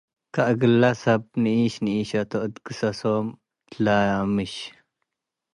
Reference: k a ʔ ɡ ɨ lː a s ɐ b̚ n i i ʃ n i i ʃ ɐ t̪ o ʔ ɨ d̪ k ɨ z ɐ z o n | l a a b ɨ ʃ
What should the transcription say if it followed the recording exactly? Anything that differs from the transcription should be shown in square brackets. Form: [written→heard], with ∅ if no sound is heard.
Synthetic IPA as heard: k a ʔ ɡ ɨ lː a s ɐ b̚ n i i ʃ n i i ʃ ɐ t̪ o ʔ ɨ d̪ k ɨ [z→s] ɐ [z→s] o [n→m] | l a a [b→m] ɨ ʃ